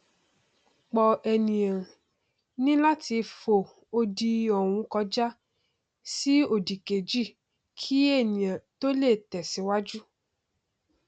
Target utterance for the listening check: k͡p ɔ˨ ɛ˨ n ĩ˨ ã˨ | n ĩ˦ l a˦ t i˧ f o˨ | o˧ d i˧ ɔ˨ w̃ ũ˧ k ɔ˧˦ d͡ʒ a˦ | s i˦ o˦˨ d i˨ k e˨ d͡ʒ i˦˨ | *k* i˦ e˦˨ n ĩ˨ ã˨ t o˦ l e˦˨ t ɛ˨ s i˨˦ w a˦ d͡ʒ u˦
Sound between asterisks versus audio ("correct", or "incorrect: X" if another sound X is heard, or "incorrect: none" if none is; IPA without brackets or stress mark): incorrect: kʰ